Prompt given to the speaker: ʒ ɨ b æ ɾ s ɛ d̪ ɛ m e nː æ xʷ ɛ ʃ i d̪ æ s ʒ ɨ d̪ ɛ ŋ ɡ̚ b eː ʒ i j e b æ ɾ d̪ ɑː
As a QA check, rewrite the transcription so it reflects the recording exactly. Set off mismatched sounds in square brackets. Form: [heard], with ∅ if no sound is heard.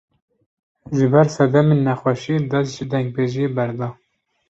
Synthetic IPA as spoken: ʒ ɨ b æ ɾ s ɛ d̪ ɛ m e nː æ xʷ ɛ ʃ i d̪ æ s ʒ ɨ d̪ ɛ ŋ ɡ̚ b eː ʒ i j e b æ ɾ d̪ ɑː